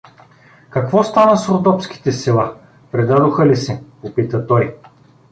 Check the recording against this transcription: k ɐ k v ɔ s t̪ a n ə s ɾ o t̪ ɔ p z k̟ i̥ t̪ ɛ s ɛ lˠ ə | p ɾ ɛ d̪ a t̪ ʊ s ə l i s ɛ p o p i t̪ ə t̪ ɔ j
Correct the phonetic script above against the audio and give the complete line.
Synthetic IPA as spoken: k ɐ k v ɔ s t̪ a n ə s ɾ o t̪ ɔ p s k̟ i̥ t̪ ɛ s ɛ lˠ a | p ɾ ɛ d̪ a d̪ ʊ x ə l i s ɛ p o p i t̪ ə t̪ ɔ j